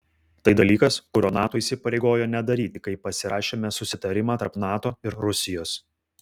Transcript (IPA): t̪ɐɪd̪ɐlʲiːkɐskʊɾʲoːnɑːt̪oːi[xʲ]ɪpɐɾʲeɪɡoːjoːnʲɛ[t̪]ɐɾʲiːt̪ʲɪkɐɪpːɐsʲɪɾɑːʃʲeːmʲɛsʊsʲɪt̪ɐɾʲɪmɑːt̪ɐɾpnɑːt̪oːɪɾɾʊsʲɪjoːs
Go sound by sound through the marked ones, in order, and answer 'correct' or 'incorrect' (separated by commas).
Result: incorrect, incorrect